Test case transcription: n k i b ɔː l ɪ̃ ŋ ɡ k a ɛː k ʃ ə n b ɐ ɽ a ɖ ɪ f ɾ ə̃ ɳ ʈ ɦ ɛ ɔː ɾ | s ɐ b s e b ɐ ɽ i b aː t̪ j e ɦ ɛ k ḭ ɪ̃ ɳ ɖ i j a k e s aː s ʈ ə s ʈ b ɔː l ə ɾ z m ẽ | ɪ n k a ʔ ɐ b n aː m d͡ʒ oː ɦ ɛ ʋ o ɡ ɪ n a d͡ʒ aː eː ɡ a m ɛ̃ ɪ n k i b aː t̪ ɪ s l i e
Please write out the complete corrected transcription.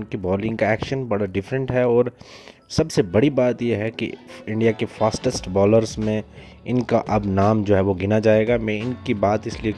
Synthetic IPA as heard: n k i b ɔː l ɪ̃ ŋ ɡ k a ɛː k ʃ ə n b ɐ ɽ a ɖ ɪ f ɾ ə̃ ɳ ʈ ɦ ɛ ɔː ɾ | s ɐ b s e b ɐ ɽ i b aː t̪ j e ɦ ɛ k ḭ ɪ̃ ɳ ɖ i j a k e f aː s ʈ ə s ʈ b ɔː l ə ɾ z m ẽ | ɪ n k a ʔ ɐ b n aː m d͡ʒ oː ɦ ɛ ʋ o ɡ ɪ n a d͡ʒ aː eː ɡ a m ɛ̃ ɪ n k i b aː t̪ ɪ s l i e